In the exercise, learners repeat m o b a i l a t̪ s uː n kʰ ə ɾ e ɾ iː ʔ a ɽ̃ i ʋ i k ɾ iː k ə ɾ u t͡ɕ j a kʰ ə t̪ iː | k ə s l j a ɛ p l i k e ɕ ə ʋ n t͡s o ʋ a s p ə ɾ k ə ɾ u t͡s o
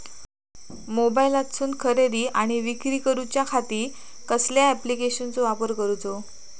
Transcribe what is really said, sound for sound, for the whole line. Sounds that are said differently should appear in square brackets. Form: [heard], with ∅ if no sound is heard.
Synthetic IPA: m o b a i l a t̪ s uː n kʰ ə ɾ e ɾ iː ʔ a ɽ̃ i ʋ i k ɾ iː k ə ɾ u t͡ɕ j a kʰ [a] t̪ iː | k ə s l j a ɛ p l i k e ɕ ə [∅] n t͡s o ʋ a [∅] p ə ɾ k ə ɾ u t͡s o